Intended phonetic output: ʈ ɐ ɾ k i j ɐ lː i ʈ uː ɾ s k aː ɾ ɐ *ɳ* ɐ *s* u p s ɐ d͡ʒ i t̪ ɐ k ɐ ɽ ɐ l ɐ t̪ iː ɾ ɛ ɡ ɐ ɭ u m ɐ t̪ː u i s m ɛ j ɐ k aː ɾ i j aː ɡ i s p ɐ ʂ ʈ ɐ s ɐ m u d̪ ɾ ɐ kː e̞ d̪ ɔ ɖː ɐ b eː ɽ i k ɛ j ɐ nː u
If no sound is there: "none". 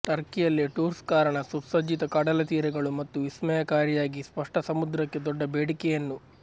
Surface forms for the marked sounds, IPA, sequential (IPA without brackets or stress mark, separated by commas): ɳ, s